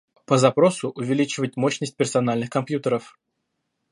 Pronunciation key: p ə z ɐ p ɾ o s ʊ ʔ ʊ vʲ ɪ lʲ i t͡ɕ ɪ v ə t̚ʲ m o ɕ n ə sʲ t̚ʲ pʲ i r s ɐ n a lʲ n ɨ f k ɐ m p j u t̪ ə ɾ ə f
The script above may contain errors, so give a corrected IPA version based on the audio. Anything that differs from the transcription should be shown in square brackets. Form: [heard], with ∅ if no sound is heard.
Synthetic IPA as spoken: p ə z ɐ p ɾ o s ʊ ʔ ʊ vʲ ɪ lʲ i t͡ɕ ɪ v ə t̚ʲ m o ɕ n ə sʲ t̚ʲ pʲ [ɪ] r s ɐ n a lʲ n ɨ [x] k ɐ m p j u t̪ ə ɾ ə f

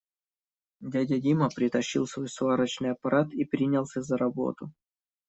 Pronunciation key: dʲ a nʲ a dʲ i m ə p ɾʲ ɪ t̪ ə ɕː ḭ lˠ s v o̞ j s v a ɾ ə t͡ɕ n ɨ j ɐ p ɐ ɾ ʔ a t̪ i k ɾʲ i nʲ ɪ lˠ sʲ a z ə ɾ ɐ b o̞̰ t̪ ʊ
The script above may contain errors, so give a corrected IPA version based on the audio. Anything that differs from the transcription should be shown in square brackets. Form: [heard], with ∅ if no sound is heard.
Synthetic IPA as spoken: dʲ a [dʲ] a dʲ i m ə p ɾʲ ɪ t̪ [ɐ] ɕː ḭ lˠ s v o̞ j s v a ɾ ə t͡ɕ n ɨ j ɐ p ɐ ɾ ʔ a t̪ i [p] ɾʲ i nʲ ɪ lˠ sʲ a z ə ɾ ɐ b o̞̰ t̪ ʊ

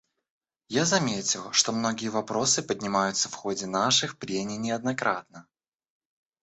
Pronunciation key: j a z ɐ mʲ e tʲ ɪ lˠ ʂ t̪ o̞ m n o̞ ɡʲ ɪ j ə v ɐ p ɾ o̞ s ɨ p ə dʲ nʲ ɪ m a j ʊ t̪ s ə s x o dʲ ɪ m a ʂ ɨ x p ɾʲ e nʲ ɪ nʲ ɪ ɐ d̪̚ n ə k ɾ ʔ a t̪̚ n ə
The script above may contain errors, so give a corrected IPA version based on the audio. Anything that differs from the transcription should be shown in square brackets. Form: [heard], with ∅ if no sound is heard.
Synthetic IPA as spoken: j a z ɐ mʲ e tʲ ɪ lˠ ʂ t̪ o̞ m n o̞ ɡʲ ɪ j ə v ɐ p ɾ o̞ s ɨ p ə dʲ nʲ ɪ m a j ʊ t̪ s ə [f] x o dʲ ɪ [n] a ʂ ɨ x p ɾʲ e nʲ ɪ nʲ ɪ ɐ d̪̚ n [ɐ] k ɾ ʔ a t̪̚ n ə

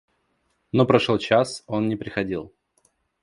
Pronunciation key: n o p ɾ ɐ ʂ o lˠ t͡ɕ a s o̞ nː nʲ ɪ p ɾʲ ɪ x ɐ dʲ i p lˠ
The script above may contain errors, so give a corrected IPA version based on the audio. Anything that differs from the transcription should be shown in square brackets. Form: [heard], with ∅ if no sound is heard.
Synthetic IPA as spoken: n o p ɾ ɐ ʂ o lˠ t͡ɕ a s o̞ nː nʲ ɪ p ɾʲ ɪ x ɐ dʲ i [∅] lˠ

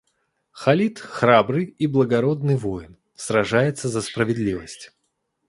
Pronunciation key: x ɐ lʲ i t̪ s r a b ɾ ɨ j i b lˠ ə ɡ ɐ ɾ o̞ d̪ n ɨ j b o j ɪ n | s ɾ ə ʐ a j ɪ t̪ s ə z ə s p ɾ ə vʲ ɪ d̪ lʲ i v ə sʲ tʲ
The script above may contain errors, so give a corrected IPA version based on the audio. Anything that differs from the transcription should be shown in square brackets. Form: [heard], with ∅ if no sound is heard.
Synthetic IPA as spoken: x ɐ lʲ i t̪ [x] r a b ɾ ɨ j i b lˠ ə ɡ ɐ ɾ o̞ d̪ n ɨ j [v] o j ɪ n | s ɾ [ɐ] ʐ a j ɪ t̪ s ə z ə s p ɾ ə vʲ ɪ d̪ lʲ i v ə sʲ tʲ

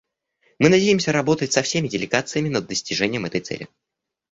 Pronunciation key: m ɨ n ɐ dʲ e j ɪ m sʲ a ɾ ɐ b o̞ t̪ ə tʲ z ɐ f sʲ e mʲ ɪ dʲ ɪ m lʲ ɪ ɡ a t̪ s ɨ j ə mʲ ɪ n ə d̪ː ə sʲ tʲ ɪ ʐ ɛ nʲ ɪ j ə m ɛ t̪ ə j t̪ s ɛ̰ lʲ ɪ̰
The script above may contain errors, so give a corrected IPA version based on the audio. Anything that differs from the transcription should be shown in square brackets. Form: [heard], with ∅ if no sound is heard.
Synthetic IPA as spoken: m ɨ n ɐ dʲ e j ɪ m sʲ [ə] ɾ ɐ b o̞ t̪ ə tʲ [s] ɐ f sʲ e mʲ ɪ dʲ ɪ [∅] lʲ ɪ ɡ a t̪ s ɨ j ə mʲ ɪ n ə d̪ː ə sʲ tʲ ɪ ʐ ɛ nʲ ɪ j ə m ɛ t̪ ə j t̪ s ɛ̰ lʲ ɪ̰

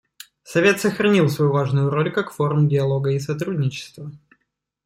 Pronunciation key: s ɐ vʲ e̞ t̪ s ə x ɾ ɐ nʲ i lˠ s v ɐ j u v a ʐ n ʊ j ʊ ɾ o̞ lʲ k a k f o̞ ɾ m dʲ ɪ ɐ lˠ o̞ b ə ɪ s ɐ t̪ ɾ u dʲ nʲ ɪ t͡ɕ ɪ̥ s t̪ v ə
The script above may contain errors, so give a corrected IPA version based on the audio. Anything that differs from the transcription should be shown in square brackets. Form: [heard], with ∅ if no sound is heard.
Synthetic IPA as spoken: s ɐ vʲ e̞ t̪ s ə x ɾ ɐ nʲ i lˠ s v ɐ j u v a ʐ n ʊ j ʊ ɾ o̞ lʲ k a k f o̞ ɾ m dʲ ɪ ɐ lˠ o̞ [ɡ] ə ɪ s ɐ t̪ ɾ u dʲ nʲ ɪ t͡ɕ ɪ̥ s t̪ v ə

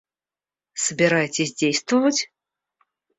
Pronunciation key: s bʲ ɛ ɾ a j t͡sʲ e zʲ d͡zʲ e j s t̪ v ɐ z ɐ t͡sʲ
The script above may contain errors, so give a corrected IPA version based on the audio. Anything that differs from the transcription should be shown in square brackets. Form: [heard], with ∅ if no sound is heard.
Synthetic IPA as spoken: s bʲ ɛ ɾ a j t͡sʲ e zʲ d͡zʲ e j s t̪ v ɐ [v] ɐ t͡sʲ

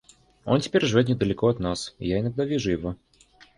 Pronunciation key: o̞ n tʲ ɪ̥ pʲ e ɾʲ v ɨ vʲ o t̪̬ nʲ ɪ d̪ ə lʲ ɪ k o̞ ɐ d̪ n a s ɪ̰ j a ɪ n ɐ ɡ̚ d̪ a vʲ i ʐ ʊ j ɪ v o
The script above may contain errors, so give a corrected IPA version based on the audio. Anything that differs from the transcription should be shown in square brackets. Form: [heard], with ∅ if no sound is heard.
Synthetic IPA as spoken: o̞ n tʲ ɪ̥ pʲ e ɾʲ [ʐ] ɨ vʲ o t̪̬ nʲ ɪ d̪ ə lʲ ɪ k o̞ ɐ [t̪] n a s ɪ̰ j a ɪ n ɐ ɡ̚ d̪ a vʲ i ʐ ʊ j ɪ v o

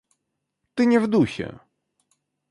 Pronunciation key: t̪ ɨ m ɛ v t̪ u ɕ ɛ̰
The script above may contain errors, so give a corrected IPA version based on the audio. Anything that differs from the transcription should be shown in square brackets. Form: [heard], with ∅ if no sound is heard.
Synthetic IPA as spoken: t̪ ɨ [ɲ] ɛ v [d̪] u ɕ ɛ̰

